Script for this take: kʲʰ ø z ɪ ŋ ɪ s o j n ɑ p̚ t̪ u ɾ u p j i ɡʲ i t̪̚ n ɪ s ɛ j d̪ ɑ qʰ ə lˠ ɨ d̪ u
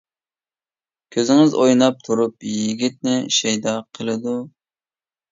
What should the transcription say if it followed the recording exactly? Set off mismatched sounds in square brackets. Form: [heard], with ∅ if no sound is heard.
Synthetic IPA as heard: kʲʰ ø z ɪ ŋ ɪ [z] o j n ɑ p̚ [t̪ʰ] u ɾ u p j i ɡʲ i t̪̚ n ɪ [ʃ] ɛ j d̪ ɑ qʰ ə lˠ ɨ d̪ u